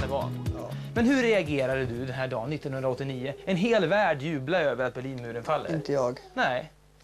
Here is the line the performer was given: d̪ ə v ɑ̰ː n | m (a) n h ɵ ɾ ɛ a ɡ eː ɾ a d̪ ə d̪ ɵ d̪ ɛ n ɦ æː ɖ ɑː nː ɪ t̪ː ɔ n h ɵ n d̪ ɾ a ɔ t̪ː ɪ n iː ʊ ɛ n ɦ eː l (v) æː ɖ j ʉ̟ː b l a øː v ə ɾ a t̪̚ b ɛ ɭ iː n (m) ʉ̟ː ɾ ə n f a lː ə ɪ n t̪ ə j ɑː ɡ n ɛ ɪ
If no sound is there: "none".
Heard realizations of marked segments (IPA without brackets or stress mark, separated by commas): ɛ, v, m